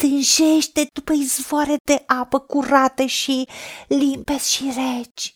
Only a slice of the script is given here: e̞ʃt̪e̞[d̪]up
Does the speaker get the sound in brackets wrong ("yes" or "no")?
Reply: no